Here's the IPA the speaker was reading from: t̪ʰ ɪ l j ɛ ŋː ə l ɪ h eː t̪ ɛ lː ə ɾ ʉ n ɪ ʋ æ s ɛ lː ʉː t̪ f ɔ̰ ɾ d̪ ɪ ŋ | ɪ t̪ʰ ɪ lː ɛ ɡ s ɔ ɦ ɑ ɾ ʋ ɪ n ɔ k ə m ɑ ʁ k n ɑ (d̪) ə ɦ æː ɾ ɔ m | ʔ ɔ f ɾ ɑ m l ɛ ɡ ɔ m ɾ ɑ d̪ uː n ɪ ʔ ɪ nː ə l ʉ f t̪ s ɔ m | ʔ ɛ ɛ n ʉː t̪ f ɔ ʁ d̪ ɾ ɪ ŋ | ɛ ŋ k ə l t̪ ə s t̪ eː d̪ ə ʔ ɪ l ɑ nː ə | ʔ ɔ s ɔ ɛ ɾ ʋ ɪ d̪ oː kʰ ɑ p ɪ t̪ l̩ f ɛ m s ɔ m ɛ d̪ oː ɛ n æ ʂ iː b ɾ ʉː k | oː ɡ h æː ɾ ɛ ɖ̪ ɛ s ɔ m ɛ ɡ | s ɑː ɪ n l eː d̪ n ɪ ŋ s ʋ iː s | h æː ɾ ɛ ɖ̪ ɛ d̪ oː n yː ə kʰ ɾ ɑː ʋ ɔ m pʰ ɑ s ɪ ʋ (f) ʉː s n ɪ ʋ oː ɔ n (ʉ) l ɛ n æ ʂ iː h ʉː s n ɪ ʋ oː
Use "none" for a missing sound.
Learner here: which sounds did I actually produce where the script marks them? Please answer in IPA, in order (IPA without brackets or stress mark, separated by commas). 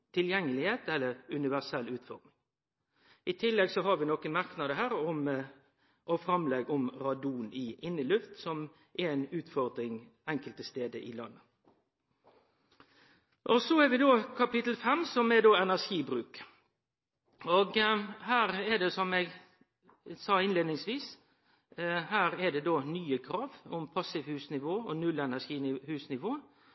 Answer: d̪, h, ʉ